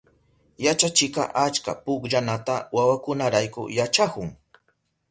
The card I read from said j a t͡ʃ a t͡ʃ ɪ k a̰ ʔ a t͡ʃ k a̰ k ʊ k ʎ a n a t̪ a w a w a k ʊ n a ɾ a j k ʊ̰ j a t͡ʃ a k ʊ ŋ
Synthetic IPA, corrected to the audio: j a t͡ʃ a t͡ʃ ɪ k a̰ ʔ a t͡ʃ k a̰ p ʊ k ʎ a n a t̪ a w a w a k ʊ n a ɾ a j k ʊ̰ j a t͡ʃ a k ʊ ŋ